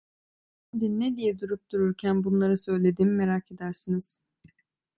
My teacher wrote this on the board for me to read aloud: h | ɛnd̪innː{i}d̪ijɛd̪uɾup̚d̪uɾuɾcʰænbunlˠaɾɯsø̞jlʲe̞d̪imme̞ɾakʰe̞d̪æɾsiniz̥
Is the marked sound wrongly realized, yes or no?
yes